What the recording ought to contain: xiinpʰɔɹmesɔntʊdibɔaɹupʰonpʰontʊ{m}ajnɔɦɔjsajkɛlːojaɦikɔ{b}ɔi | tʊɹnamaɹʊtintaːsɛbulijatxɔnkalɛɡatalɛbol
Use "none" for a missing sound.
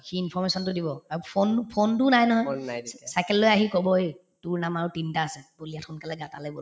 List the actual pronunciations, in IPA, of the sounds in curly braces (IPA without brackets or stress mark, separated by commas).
n, b